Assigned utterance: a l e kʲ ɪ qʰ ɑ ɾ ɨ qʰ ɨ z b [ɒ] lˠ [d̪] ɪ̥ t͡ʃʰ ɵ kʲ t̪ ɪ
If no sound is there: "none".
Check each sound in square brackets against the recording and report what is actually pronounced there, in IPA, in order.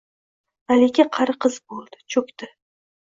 o, d̪

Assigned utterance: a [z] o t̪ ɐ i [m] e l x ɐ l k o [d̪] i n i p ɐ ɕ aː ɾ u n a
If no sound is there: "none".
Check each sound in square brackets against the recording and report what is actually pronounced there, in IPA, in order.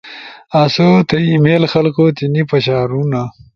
s, m, t̪

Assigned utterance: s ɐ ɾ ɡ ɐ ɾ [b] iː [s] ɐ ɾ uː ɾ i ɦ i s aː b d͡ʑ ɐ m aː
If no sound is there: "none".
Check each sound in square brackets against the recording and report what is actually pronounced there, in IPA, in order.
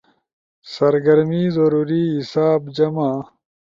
m, z

